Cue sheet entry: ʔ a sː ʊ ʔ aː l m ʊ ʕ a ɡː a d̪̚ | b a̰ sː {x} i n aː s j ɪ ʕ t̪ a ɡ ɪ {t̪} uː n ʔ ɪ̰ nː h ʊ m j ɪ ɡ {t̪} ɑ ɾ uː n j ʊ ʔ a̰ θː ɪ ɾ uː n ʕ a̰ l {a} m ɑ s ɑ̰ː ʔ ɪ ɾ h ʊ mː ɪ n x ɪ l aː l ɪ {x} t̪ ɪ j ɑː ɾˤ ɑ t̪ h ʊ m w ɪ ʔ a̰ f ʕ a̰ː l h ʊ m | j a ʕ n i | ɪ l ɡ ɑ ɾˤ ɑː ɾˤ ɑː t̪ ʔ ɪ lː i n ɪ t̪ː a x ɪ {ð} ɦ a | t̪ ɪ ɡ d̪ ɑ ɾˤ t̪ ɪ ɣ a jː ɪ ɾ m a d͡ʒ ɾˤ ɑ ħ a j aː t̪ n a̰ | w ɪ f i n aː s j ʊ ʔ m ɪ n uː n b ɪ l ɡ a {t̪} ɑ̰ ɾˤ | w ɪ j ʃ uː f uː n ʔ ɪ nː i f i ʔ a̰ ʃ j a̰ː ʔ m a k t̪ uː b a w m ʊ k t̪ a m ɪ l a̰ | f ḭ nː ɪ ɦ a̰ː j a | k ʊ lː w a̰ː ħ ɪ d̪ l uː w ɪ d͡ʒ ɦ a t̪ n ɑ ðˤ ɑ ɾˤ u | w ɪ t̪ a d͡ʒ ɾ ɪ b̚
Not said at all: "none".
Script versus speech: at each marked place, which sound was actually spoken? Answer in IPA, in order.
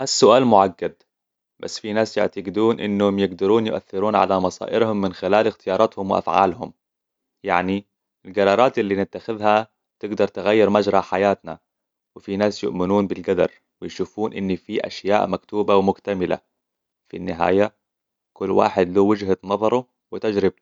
f, d̪, d̪, a, x, ð, d̪

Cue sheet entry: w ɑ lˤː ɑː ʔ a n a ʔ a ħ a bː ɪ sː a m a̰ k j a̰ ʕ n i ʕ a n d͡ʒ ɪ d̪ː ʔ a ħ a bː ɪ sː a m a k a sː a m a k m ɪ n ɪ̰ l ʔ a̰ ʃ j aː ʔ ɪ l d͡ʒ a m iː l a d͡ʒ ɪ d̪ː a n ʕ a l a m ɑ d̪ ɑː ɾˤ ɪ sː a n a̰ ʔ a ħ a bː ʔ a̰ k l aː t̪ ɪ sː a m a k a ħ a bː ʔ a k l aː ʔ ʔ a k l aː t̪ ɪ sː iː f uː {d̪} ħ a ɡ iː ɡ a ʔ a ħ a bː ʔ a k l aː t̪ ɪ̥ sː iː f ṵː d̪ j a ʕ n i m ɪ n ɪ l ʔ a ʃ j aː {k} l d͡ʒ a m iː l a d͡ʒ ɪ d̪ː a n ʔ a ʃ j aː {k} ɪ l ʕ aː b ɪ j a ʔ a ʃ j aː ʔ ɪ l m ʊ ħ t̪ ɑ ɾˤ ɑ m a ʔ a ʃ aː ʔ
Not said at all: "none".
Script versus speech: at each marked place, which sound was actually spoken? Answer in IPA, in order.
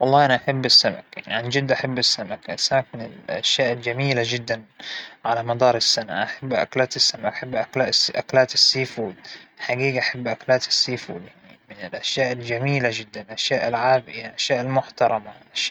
d̪, ʔ, ʔ

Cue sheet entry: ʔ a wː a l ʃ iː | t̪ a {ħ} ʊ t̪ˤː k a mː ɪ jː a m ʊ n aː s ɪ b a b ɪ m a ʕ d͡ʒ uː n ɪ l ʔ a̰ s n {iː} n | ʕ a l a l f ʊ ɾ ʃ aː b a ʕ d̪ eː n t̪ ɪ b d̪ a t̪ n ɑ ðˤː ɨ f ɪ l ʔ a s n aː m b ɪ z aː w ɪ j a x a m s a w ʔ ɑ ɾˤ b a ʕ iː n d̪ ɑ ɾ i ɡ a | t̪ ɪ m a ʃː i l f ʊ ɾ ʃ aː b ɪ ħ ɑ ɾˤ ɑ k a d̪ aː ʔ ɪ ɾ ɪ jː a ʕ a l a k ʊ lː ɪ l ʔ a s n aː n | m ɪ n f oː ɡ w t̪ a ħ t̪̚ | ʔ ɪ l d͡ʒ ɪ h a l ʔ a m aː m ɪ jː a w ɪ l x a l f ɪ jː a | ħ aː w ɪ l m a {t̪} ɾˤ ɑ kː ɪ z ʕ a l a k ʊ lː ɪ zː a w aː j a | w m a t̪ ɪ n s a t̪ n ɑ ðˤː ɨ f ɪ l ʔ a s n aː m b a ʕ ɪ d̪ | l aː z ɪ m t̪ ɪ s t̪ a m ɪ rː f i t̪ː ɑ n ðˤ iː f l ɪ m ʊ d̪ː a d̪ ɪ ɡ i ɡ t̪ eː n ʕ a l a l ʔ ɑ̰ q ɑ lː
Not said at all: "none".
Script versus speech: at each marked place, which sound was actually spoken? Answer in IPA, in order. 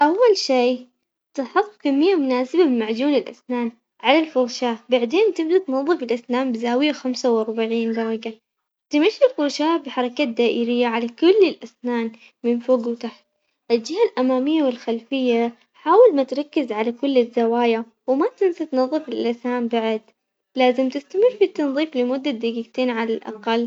ħ, aː, t̪

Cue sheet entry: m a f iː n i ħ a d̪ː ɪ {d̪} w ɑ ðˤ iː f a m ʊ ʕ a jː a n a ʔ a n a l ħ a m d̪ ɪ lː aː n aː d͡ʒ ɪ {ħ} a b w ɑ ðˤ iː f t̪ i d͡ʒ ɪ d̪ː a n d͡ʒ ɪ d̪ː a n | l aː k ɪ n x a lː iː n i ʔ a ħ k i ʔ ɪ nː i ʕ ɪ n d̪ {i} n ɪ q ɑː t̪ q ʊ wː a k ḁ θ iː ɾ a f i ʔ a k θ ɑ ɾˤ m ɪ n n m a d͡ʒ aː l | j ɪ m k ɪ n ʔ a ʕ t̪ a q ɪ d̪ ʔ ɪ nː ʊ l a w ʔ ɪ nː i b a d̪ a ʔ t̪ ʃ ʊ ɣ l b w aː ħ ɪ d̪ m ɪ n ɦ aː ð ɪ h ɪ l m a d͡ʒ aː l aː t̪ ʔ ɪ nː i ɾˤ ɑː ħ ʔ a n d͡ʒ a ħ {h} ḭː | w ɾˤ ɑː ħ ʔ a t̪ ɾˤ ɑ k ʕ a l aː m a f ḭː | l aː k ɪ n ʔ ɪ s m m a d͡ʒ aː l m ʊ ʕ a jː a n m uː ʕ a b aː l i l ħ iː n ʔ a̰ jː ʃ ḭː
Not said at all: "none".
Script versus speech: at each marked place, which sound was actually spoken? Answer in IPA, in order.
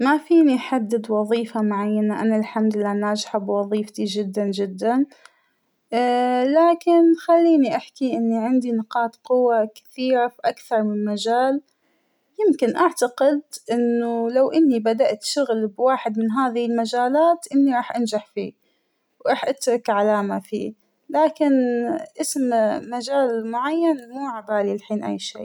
d̪, ħ, i, f

